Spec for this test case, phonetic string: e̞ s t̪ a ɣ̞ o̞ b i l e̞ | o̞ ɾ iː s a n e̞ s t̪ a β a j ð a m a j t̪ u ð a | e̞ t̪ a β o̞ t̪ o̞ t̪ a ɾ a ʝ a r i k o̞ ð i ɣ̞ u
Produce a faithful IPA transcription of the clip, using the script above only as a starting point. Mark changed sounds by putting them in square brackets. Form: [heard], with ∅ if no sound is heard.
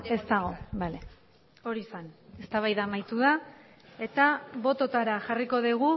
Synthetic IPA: e̞ s t̪ a ɣ̞ o̞ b [a] l e̞ | o̞ ɾ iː s a n e̞ s t̪ a β a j ð a m a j t̪ u ð a | e̞ t̪ a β o̞ t̪ o̞ t̪ a ɾ a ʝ a r i k o̞ ð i ɣ̞ u